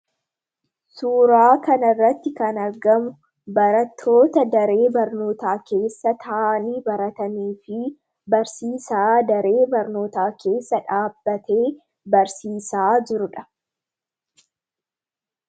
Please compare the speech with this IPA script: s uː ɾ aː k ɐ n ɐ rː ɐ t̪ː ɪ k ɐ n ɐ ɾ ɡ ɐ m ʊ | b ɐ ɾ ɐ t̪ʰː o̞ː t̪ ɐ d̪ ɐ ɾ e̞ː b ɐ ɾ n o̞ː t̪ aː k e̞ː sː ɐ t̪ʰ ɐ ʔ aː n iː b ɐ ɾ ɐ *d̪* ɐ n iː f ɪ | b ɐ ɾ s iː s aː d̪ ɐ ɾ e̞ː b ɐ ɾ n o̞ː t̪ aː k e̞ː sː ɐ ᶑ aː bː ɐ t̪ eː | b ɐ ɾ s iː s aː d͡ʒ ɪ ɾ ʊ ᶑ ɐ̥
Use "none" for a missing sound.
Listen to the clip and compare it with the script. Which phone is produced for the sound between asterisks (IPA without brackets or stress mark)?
t̪